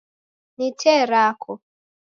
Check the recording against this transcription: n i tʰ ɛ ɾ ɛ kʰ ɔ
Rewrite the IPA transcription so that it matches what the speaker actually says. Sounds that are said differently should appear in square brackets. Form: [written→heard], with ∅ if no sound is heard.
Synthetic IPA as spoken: n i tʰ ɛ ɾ [ɛ→a] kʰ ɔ